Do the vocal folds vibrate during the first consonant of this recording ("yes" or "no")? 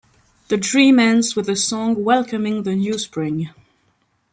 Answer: yes